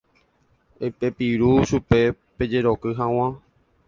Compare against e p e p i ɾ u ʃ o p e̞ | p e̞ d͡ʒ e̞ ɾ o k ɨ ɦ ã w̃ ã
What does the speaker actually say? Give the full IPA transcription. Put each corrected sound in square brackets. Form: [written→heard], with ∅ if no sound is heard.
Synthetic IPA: e p e p i ɾ u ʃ [o→u] p e̞ | p e̞ d͡ʒ e̞ ɾ o k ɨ ɦ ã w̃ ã